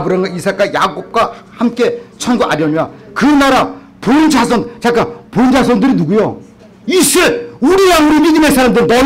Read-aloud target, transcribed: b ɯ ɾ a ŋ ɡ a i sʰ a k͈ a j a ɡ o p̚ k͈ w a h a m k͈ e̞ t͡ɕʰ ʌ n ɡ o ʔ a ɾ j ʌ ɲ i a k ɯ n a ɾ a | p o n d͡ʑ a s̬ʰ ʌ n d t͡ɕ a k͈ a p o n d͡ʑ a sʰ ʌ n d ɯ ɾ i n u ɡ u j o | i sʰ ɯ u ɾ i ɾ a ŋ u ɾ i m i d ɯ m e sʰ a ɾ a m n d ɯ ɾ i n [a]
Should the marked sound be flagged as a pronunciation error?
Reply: yes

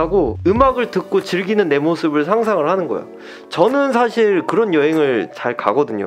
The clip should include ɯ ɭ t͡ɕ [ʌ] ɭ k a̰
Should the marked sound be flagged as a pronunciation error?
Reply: yes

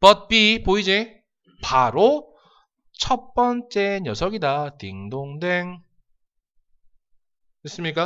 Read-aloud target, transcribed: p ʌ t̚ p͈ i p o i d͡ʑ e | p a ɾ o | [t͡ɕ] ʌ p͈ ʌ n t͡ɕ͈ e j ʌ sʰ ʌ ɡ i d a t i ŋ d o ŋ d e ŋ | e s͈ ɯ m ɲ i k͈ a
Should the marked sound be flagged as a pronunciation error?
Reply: yes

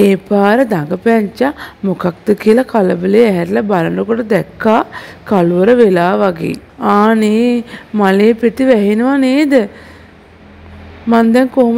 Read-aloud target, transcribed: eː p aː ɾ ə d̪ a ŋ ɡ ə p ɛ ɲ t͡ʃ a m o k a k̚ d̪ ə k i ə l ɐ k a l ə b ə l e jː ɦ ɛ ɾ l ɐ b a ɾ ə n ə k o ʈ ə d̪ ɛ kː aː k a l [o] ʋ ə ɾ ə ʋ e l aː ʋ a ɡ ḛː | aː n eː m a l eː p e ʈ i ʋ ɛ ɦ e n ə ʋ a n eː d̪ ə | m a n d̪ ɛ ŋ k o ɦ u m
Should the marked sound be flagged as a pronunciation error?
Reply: yes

